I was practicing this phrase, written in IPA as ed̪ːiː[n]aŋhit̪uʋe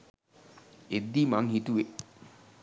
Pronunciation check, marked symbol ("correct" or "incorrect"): incorrect